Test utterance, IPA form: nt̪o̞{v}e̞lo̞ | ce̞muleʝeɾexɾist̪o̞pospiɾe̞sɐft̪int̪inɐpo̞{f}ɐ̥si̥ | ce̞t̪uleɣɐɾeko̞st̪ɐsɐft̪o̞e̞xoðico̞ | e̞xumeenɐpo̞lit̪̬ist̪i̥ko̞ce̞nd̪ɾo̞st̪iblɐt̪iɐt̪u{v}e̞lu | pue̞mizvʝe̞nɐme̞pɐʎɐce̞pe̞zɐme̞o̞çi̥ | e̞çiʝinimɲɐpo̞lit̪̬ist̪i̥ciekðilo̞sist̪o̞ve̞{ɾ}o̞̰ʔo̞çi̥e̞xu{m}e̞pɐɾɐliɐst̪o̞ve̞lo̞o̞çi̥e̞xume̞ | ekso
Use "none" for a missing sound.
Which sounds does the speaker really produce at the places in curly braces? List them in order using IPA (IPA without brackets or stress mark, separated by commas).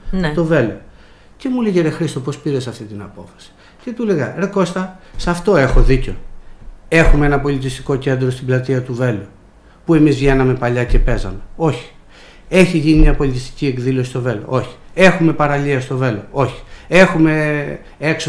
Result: v, f, v, l, m